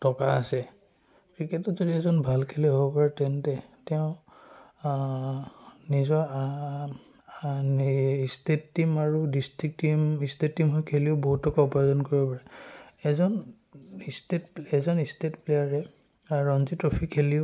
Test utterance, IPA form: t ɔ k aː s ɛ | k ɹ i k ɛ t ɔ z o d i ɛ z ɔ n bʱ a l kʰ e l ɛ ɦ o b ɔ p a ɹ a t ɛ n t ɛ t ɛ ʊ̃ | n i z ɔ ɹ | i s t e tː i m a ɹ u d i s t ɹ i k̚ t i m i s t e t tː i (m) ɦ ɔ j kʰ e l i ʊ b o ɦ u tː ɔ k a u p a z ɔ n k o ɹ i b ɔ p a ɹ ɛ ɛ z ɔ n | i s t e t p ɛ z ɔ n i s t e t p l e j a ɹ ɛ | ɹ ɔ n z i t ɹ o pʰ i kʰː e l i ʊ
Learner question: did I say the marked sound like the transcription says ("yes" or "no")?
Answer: yes